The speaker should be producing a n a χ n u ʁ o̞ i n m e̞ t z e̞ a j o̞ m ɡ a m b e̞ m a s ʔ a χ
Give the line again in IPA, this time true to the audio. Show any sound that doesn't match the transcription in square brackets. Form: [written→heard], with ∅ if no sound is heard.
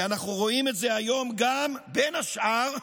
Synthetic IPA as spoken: a n a χ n u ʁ o̞ i [n→∅] m e̞ t z e̞ a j o̞ m ɡ a m b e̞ [m→n] a [s→ʃ] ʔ a [χ→ʁ]